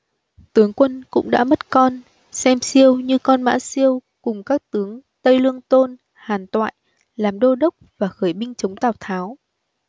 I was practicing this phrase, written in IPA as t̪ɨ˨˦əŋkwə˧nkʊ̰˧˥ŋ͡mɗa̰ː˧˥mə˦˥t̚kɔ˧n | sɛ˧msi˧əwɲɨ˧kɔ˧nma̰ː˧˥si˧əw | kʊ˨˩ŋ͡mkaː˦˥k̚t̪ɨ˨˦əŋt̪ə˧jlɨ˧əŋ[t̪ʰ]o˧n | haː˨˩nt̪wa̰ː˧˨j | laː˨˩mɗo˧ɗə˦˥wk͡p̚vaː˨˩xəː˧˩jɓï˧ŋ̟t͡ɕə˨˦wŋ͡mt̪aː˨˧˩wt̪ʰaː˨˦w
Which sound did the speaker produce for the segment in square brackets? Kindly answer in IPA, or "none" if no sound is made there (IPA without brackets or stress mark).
t̪